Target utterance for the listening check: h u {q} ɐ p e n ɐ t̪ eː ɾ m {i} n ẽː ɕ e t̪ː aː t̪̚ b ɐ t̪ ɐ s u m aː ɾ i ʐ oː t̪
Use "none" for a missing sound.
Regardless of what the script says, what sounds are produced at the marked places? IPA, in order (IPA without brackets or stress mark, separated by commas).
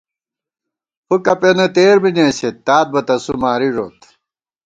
k, i